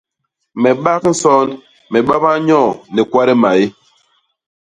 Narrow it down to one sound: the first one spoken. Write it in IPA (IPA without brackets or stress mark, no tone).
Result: m